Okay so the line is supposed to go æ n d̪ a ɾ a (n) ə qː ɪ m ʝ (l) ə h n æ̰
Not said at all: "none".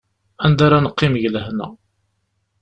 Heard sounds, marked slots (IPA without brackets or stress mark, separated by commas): n, l